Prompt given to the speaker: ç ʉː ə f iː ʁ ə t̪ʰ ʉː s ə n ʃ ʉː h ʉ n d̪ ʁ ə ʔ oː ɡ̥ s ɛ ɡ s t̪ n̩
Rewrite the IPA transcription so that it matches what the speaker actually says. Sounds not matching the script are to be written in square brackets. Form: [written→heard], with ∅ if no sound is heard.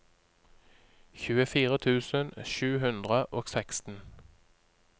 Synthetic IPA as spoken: ç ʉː ə f iː ʁ ə t̪ʰ ʉː s ə n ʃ ʉː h ʉ n d̪ ʁ ə ʔ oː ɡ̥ s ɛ [ɡ→k] s t̪ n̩